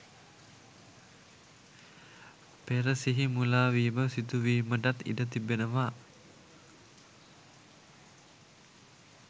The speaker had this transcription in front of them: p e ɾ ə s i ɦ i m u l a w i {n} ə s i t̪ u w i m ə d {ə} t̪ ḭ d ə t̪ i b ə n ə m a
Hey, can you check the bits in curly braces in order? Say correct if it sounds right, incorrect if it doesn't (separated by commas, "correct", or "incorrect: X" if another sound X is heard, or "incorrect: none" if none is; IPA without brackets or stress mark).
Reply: incorrect: m, incorrect: a